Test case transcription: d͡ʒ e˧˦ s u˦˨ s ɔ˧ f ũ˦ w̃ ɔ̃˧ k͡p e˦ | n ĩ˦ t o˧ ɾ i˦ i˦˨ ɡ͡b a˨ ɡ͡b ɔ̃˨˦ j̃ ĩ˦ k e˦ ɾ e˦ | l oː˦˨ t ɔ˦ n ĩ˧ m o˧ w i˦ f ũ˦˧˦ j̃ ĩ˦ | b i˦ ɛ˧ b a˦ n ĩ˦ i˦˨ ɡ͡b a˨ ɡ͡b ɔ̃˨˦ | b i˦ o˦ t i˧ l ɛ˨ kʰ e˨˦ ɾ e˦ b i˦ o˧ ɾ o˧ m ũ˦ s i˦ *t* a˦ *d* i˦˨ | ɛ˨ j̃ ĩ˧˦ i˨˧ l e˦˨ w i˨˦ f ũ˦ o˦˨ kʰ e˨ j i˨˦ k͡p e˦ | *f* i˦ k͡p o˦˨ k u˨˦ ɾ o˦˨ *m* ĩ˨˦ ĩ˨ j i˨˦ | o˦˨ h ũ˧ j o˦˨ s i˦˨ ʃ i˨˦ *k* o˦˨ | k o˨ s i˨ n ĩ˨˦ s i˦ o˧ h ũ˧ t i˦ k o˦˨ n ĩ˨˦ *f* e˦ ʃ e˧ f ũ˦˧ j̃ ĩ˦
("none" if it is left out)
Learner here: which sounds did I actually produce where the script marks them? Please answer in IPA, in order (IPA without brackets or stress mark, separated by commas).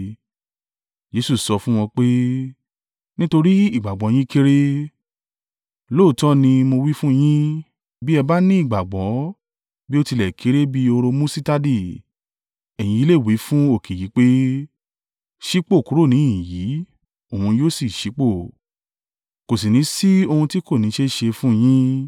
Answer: t, d, ʃ, n, k͡p, ʃ